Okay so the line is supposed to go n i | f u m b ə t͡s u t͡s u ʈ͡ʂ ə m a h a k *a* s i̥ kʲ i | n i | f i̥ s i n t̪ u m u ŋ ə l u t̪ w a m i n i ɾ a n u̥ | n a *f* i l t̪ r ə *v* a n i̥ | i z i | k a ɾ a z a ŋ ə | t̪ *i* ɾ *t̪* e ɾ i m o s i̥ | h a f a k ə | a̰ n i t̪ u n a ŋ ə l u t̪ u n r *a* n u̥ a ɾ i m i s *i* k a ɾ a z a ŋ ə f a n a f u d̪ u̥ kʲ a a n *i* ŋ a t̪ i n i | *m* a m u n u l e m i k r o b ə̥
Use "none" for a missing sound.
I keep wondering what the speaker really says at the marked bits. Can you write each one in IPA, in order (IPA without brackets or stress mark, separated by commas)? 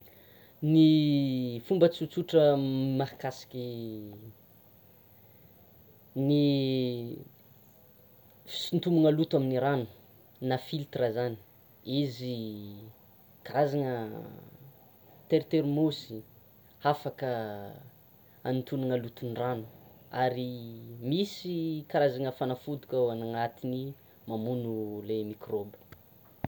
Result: a, f, z, e, t̪, a, i, a, m